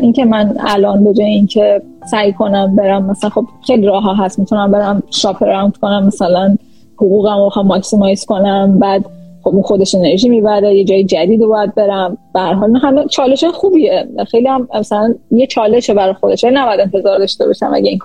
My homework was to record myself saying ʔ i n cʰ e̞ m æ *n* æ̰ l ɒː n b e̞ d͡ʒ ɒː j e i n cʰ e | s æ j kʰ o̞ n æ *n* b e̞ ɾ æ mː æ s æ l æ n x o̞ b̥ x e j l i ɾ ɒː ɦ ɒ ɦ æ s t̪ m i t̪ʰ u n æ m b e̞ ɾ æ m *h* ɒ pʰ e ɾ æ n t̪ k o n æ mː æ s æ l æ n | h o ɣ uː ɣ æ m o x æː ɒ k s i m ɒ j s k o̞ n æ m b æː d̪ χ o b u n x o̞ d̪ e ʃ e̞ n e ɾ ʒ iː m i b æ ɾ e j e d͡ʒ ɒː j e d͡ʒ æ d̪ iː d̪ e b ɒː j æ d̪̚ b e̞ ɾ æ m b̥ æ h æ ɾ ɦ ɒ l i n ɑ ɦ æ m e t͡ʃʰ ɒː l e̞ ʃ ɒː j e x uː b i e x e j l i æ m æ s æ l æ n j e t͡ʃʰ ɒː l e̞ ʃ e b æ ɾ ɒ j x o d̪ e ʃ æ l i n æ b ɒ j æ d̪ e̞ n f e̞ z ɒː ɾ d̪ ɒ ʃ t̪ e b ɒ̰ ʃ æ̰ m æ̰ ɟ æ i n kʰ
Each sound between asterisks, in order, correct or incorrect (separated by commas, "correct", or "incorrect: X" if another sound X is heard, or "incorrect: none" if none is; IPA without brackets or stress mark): correct, incorrect: m, incorrect: ʃ